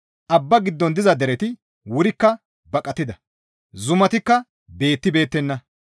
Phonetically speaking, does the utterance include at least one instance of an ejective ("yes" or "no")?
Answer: yes